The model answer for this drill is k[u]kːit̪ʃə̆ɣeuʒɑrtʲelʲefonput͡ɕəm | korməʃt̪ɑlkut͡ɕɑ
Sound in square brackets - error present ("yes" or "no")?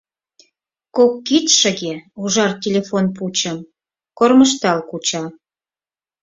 yes